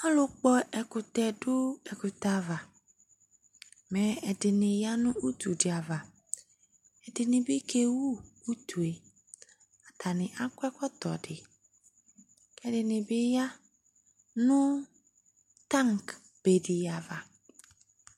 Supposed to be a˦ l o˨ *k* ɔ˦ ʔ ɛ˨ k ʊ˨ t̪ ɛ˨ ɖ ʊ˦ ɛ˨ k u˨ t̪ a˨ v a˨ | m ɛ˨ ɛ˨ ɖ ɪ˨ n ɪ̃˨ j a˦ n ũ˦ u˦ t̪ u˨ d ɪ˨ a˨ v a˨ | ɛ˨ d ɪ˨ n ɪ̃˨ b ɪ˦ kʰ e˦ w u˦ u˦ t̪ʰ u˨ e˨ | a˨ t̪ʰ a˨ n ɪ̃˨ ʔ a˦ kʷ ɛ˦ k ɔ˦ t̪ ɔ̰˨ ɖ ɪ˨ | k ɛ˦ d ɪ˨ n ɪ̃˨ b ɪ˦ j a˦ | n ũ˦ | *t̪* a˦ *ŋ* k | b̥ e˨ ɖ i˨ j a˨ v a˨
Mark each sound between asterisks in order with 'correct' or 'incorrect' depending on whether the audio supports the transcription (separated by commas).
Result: incorrect, correct, correct